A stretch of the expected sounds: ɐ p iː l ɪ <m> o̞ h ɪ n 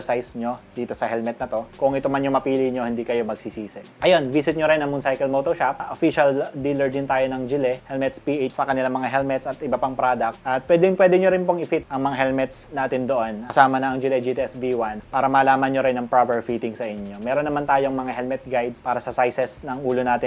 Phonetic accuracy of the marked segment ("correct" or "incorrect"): incorrect